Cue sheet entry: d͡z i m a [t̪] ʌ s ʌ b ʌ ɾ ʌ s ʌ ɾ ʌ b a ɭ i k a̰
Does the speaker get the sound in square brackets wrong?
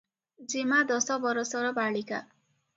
yes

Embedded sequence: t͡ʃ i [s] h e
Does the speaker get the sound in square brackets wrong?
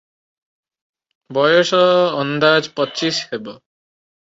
no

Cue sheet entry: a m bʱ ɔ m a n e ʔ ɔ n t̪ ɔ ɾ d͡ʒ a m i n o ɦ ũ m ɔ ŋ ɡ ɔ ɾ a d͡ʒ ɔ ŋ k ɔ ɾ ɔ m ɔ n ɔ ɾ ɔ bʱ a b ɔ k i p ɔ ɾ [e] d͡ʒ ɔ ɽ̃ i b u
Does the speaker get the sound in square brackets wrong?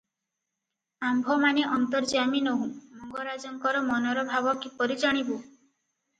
yes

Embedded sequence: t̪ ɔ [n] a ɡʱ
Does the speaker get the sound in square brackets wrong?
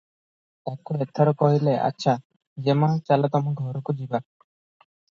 yes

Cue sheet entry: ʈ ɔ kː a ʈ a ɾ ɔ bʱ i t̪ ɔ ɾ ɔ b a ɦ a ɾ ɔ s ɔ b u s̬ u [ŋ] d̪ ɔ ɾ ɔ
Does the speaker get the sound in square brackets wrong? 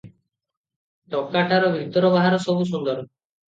yes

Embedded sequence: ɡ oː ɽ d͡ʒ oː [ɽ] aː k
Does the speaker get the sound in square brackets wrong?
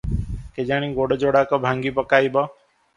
no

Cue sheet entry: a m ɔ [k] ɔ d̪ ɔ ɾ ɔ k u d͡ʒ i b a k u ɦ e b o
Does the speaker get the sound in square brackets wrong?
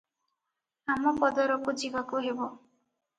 yes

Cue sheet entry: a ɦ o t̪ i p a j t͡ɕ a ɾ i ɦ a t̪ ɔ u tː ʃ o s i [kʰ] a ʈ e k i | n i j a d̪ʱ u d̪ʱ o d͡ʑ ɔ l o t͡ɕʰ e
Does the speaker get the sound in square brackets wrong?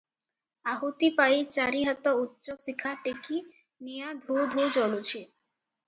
no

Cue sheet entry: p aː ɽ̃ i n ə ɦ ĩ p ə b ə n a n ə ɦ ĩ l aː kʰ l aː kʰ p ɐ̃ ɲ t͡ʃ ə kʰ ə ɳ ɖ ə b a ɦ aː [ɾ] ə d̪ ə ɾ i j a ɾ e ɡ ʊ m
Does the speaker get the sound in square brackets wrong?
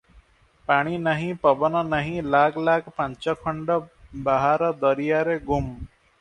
no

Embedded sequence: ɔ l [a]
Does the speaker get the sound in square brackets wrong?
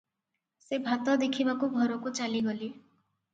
yes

